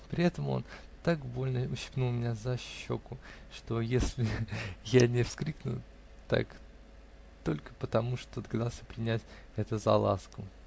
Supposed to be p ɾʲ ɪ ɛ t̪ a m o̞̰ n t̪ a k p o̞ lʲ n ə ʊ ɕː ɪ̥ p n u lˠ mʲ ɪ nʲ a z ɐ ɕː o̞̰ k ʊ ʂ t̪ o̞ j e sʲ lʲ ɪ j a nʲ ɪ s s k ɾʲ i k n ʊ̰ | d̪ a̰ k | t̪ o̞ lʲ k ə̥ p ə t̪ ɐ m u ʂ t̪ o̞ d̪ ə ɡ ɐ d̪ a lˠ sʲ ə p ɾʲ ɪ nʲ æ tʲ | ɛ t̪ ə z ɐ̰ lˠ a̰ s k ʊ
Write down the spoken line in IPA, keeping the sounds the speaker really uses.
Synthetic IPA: p ɾʲ ɪ ɛ t̪ ə m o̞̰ n t̪ a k b o̞ lʲ n ə ʊ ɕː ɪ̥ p n u lˠ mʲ ɪ nʲ a z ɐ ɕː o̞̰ k ʊ ʂ t̪ o̞ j e sʲ lʲ ɪ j a nʲ ɪ f s k ɾʲ i k n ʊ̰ | t̪ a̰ k | t̪ o̞ lʲ k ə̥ p ə t̪ ɐ m u ʂ t̪ o̞ d̪ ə ɡ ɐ d̪ a lˠ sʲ ə p ɾʲ ɪ nʲ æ tʲ | ɛ t̪ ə z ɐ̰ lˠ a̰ s k ʊ